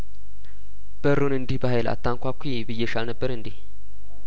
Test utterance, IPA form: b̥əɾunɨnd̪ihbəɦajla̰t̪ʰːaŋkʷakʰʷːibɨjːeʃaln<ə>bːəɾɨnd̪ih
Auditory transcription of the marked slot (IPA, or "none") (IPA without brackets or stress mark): ə